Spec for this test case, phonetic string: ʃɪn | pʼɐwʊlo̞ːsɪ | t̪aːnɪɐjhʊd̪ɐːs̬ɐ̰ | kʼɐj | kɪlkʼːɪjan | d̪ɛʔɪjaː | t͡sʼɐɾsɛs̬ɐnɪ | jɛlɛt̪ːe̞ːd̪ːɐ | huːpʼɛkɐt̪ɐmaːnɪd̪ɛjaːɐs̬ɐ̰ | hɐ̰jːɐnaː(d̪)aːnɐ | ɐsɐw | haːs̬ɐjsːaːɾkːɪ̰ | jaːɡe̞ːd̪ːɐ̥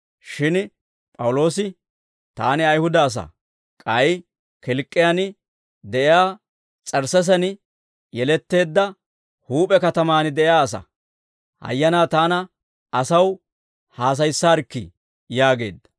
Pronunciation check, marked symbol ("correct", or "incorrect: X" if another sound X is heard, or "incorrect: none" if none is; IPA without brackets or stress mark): incorrect: t̪